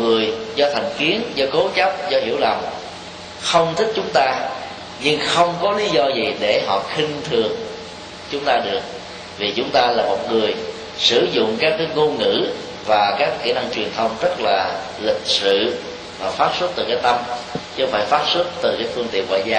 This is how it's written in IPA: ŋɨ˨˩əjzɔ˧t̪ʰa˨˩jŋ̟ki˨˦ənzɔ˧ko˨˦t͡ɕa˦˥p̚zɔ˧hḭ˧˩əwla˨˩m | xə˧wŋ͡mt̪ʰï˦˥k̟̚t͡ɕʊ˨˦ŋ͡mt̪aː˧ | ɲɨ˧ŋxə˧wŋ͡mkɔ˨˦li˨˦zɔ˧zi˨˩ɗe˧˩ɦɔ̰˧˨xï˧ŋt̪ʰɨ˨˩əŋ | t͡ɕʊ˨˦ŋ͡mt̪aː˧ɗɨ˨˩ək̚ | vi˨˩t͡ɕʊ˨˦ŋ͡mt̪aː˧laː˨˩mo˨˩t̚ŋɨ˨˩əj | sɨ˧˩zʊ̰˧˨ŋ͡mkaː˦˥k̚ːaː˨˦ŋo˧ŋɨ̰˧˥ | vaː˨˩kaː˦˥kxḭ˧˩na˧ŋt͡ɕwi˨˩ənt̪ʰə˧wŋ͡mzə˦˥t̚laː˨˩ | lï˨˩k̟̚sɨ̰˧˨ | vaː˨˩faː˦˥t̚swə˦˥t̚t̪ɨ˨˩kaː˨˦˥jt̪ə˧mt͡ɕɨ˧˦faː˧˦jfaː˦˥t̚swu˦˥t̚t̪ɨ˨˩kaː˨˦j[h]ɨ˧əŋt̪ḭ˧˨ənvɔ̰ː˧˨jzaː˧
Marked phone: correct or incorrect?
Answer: incorrect